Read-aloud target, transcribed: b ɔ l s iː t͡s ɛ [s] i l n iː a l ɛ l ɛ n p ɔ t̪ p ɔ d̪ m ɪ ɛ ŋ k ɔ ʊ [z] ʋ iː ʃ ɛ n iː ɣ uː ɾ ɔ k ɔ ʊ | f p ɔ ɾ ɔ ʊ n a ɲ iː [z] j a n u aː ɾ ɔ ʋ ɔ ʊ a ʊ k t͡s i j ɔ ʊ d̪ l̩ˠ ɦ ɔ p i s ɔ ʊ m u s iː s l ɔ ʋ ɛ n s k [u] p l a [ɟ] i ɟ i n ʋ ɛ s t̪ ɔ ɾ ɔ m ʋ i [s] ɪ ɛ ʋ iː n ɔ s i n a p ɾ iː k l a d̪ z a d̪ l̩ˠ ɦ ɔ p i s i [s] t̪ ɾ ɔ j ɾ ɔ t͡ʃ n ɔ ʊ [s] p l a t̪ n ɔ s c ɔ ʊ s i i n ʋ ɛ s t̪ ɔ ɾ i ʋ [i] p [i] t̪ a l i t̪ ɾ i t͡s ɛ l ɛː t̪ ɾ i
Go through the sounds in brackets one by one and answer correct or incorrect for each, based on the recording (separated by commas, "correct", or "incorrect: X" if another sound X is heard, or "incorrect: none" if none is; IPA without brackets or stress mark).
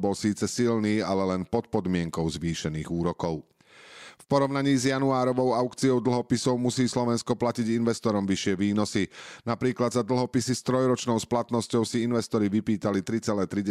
correct, correct, correct, incorrect: ɔ, incorrect: c, incorrect: ʃ, correct, correct, correct, incorrect: iː